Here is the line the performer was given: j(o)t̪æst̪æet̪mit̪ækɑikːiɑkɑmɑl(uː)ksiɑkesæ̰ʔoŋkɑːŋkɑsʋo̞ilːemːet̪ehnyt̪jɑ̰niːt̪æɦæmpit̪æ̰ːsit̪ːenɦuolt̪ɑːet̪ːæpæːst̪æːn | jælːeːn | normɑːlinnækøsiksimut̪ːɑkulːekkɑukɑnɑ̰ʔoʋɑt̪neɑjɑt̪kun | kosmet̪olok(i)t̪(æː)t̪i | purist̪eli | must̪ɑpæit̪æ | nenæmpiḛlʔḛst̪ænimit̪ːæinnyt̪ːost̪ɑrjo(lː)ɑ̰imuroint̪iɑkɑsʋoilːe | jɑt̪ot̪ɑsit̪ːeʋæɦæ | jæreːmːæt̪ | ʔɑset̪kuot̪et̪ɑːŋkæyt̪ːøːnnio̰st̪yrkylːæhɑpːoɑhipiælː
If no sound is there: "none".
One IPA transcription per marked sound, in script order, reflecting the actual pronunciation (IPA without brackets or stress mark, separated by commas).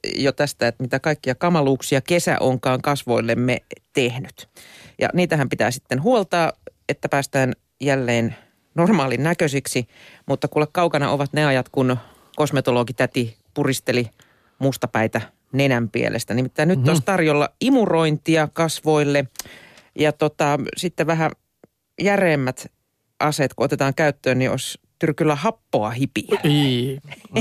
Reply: o, uː, i, æ, lː